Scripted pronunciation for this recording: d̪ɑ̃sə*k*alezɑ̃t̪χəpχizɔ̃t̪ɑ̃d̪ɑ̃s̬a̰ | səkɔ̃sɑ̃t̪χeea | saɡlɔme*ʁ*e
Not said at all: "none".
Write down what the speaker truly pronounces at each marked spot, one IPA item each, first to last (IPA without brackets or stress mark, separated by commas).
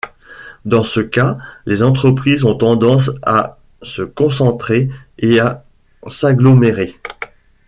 k, ʁ